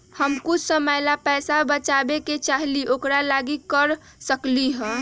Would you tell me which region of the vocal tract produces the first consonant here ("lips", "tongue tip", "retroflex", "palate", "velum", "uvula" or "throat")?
throat